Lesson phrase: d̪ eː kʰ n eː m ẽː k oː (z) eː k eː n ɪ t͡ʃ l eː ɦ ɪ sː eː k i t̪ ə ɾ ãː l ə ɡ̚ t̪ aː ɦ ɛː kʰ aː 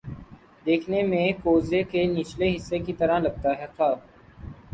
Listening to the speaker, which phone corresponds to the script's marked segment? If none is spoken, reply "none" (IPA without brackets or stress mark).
z